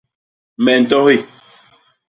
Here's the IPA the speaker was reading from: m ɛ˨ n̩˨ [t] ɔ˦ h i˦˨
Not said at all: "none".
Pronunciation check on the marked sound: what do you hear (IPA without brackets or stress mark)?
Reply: t